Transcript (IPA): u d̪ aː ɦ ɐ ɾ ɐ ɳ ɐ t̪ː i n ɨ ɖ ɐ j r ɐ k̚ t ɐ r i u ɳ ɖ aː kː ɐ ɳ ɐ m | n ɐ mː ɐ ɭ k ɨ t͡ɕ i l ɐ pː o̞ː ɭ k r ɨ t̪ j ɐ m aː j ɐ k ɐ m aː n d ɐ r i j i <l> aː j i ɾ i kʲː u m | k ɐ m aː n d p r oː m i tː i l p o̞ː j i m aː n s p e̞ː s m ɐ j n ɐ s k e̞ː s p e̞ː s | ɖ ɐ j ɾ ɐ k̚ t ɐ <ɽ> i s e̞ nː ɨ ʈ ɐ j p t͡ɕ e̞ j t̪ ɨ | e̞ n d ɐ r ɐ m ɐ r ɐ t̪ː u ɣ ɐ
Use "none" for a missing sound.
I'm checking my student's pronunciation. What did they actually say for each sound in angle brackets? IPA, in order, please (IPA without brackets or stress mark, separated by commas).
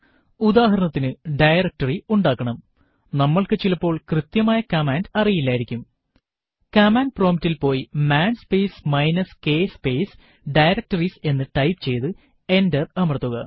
lː, r